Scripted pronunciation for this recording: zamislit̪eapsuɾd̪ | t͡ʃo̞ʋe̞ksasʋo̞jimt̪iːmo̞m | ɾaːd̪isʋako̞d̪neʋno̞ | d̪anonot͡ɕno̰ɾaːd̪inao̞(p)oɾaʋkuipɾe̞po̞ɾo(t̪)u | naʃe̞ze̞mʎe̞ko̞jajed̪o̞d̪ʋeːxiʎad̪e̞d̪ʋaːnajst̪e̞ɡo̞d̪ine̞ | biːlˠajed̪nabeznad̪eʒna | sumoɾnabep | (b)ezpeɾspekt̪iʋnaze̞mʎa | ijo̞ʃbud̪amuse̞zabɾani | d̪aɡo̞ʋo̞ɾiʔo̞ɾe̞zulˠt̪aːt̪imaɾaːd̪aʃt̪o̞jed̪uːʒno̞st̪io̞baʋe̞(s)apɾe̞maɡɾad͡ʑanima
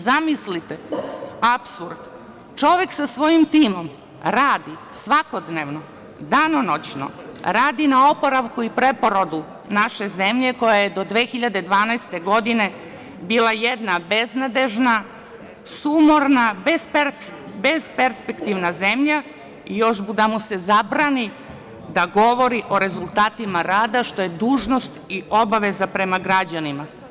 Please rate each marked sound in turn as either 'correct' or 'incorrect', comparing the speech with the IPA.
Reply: correct, incorrect: d̪, correct, incorrect: z

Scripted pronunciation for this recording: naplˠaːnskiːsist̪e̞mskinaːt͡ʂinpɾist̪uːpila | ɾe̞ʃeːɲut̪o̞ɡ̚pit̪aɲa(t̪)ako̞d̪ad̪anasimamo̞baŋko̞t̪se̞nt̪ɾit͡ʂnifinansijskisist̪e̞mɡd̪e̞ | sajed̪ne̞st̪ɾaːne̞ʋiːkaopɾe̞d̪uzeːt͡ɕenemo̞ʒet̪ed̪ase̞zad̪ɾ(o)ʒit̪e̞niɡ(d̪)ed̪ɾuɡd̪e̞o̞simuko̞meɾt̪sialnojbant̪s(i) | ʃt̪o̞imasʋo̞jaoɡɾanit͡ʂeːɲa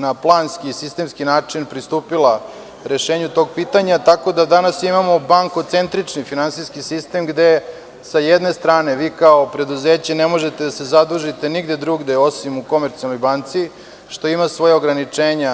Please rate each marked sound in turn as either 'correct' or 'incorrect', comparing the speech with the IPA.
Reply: correct, incorrect: u, correct, correct

